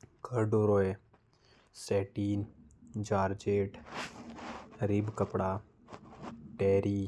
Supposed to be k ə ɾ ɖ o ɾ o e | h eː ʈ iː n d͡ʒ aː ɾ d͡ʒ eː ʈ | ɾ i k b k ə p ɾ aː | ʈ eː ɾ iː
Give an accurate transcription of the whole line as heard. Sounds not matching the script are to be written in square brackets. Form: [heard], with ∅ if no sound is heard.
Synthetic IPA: k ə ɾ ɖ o ɾ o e | [s] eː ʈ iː n d͡ʒ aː ɾ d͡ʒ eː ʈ | ɾ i [∅] b k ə p [ɽ] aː | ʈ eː ɾ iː